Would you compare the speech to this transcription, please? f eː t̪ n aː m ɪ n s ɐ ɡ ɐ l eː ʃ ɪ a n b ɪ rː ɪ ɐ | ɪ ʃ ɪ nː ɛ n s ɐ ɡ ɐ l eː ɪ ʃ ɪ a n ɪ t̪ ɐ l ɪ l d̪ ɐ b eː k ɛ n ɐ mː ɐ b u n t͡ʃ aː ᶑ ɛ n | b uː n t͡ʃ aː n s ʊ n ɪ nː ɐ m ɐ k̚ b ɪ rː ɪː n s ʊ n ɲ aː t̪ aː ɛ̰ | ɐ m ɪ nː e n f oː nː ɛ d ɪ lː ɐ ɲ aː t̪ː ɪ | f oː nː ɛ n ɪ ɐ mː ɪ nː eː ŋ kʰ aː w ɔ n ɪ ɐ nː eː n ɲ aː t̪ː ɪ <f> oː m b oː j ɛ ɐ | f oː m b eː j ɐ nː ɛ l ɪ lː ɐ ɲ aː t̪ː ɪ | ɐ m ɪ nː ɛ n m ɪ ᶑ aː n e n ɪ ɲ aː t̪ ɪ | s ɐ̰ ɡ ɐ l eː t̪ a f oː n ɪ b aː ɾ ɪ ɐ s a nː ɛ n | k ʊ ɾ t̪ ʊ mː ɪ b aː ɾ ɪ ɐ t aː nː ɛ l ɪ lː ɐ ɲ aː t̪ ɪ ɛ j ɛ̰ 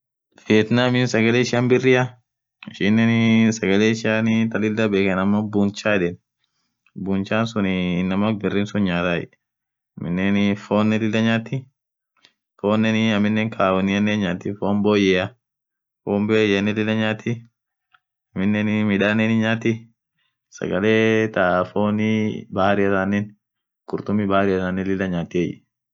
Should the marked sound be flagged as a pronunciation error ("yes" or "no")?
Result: no